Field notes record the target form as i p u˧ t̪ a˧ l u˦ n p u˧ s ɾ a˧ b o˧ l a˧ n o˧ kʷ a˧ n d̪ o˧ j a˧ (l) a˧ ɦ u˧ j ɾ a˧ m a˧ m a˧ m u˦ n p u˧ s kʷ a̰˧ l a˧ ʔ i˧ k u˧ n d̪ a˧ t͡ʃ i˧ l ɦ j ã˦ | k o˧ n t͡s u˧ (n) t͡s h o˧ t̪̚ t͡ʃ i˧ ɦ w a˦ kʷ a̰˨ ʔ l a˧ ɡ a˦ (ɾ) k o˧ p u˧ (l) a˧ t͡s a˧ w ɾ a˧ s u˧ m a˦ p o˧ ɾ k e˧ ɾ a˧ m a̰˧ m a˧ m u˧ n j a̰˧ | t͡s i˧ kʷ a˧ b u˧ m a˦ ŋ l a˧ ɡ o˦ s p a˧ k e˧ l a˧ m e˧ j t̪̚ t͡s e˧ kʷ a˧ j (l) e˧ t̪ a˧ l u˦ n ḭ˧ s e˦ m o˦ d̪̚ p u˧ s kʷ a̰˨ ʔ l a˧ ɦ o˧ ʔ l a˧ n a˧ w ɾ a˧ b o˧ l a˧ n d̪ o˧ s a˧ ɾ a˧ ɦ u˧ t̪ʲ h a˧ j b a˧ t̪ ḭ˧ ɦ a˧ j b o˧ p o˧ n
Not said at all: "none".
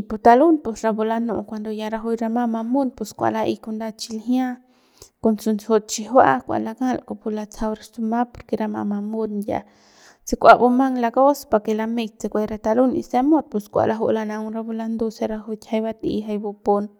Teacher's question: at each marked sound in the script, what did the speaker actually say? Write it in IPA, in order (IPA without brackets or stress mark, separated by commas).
ɾ, n, l, l, ɾ